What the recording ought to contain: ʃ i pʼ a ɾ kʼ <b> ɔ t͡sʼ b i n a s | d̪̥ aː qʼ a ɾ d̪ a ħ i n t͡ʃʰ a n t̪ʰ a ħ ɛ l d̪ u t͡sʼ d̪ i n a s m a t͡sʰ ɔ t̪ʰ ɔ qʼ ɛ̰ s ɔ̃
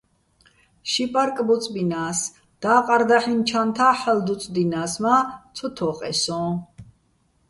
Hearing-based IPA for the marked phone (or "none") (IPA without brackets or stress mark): b